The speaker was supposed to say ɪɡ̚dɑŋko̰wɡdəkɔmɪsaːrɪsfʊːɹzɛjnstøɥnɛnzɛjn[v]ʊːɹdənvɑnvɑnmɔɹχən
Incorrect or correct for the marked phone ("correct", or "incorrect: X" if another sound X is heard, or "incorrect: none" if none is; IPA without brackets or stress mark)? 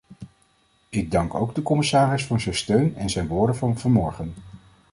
incorrect: ʋ